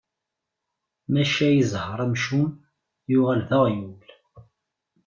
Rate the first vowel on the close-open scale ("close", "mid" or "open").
open